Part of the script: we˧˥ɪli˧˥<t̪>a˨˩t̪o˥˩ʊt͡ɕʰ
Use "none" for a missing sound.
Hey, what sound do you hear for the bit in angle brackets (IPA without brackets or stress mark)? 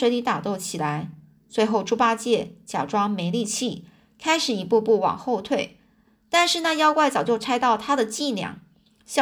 t̪